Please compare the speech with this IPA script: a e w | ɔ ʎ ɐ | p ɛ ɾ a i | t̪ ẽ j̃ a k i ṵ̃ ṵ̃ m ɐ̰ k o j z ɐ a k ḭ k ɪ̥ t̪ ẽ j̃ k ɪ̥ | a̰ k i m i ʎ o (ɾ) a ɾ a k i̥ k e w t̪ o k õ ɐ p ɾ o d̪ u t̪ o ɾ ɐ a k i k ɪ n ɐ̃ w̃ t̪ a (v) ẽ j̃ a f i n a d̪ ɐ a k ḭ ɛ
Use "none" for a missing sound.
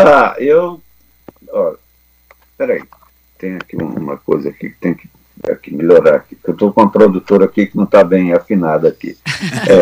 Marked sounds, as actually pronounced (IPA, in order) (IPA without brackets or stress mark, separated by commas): ɾ, b